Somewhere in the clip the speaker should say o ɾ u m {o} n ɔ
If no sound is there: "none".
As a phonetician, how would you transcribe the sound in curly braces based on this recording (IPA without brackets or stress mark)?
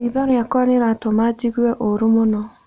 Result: o